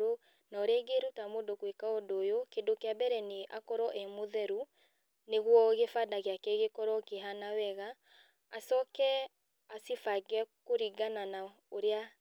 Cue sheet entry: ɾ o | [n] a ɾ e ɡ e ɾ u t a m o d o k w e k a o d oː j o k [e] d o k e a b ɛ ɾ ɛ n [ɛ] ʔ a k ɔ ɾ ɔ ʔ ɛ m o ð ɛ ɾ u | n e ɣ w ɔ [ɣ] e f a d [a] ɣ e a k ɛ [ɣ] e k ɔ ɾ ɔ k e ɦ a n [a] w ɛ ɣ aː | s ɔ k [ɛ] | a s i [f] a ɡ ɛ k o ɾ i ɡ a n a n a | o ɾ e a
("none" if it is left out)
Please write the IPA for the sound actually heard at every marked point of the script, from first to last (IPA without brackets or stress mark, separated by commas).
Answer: n, e, e, ɣ, a, ɣ, a, ɛ, f